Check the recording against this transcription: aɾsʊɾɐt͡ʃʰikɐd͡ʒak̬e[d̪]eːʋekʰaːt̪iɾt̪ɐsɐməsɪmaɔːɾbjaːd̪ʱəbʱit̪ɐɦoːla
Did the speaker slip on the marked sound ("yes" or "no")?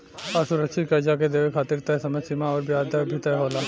no